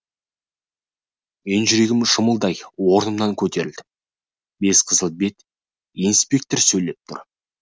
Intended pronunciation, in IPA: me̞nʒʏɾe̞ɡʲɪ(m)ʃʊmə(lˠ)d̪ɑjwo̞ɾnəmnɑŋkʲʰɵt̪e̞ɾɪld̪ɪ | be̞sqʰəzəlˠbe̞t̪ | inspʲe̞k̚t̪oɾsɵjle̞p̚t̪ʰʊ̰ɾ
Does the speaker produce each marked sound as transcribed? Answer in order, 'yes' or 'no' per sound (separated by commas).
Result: yes, yes